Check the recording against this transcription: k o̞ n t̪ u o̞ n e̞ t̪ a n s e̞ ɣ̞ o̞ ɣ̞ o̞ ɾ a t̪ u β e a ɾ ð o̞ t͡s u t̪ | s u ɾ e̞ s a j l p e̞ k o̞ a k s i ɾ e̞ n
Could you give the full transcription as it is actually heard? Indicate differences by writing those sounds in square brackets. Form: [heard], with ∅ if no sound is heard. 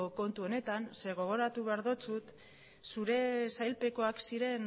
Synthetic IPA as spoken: k o̞ n t̪ u o̞ n e̞ t̪ a n s e̞ ɣ̞ o̞ ɣ̞ o̞ ɾ a t̪ u β e a ɾ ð o̞ t͡s u t̪ | s u ɾ e̞ s a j l p e̞ k o̞ a k s i ɾ e̞ n